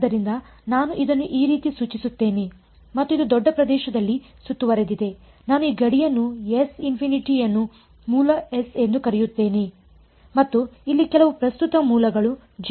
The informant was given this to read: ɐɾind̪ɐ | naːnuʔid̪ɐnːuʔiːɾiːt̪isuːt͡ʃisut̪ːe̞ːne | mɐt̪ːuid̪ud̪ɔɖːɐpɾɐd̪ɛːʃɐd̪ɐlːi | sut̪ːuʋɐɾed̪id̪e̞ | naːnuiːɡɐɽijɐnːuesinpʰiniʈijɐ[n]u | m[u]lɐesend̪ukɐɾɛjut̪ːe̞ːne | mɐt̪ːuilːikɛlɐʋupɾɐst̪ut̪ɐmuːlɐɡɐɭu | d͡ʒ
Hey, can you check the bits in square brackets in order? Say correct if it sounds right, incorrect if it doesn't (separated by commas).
incorrect, incorrect